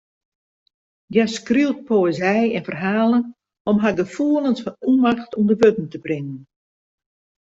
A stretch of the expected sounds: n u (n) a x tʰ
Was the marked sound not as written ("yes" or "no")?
yes